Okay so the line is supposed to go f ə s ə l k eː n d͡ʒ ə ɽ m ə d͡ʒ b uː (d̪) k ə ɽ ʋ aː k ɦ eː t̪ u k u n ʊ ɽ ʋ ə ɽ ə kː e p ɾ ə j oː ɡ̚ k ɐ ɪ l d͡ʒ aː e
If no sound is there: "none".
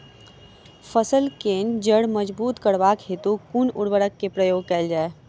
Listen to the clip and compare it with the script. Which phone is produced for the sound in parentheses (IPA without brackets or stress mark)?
t̪